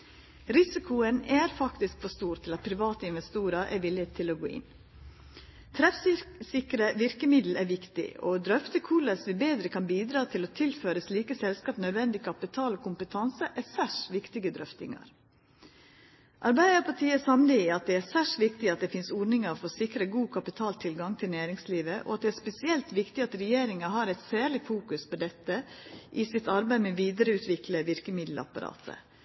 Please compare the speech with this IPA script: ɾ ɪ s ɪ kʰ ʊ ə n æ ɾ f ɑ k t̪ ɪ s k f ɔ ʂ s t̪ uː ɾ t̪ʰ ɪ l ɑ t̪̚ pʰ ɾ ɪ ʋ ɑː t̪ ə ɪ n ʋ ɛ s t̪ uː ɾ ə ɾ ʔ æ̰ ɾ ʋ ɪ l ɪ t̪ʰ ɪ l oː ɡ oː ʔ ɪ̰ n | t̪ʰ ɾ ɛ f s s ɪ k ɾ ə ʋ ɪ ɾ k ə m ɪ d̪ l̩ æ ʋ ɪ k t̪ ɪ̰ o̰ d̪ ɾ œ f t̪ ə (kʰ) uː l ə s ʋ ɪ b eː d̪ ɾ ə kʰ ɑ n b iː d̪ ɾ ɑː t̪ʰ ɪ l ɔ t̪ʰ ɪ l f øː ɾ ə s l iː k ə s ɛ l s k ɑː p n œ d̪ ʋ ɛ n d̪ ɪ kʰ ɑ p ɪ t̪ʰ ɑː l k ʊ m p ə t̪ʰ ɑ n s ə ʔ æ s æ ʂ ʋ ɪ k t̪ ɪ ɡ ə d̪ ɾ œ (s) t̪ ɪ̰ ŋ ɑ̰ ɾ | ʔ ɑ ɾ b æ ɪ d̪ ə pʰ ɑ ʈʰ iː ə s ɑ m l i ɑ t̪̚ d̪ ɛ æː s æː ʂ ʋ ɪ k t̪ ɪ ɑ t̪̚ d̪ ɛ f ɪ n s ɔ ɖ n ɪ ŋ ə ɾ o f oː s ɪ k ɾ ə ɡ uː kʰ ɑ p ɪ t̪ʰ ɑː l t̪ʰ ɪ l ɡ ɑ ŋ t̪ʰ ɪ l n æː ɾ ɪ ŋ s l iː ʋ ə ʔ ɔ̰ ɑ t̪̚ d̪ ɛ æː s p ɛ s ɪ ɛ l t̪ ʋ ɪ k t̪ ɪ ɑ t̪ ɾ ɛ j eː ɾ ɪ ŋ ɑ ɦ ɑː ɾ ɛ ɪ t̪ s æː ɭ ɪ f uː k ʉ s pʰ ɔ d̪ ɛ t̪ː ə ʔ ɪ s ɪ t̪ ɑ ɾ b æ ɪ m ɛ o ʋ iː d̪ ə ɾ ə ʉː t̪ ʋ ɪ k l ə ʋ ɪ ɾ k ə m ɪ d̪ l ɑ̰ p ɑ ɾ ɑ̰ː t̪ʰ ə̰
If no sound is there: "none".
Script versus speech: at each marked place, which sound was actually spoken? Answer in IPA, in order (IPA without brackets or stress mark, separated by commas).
kʰ, f